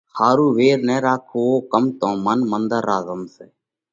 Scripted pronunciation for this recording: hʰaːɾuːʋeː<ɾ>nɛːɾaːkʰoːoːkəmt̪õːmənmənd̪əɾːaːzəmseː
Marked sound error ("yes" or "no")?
no